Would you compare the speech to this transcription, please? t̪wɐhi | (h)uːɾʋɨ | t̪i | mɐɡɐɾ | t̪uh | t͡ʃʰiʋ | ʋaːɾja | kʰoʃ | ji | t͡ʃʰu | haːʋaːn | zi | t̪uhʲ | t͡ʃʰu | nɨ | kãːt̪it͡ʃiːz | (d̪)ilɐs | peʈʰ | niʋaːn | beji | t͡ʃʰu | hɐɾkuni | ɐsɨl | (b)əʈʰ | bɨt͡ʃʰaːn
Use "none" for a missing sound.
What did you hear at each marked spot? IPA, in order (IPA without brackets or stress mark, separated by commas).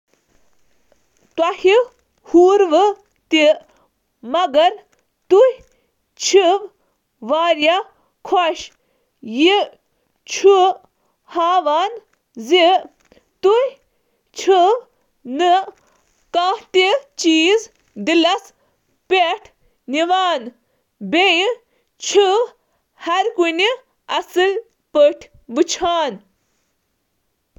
h, d̪, p